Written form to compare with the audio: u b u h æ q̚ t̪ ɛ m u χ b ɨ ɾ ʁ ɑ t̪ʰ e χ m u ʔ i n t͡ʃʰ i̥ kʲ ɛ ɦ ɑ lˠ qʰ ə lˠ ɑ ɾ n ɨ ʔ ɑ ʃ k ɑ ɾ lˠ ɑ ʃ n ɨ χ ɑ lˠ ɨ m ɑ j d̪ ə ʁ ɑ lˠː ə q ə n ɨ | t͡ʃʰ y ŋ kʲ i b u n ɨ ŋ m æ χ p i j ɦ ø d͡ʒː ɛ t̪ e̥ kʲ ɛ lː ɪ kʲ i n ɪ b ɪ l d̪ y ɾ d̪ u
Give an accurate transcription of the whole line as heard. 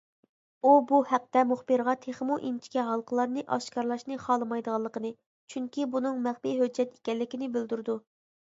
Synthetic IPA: u b u h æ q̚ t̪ ɛ m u χ b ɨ ɾ ʁ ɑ t̪ʰ e χ m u ʔ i n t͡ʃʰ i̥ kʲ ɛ ɦ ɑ lˠ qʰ ə lˠ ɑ ɾ n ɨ ʔ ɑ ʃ k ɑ ɾ lˠ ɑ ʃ n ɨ χ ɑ lˠ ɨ m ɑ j d̪ ə ʁ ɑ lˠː ə q ə n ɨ | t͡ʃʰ y ŋ kʲ i b u n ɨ ŋ m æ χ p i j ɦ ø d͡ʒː ɛ t̪ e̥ kʲ ɛ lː ɪ kʲ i n ɪ b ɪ l d̪ y ɾ d̪ u